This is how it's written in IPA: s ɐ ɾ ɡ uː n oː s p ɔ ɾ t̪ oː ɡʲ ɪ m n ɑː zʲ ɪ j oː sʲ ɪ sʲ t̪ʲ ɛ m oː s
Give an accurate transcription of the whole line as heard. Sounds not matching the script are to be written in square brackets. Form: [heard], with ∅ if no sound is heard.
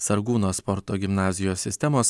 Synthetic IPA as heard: s ɐ ɾ ɡ uː n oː s p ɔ ɾ t̪ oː ɡʲ ɪ m n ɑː zʲ ɪ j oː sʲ ɪ sʲ t̪ʲ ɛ m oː s